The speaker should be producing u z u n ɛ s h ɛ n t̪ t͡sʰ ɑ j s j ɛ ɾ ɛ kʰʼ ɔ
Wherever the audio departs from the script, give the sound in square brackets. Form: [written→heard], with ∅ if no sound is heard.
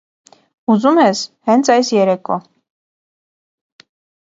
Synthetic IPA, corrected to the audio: u z u [n→m] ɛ s h ɛ n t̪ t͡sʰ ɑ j s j ɛ ɾ ɛ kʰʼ ɔ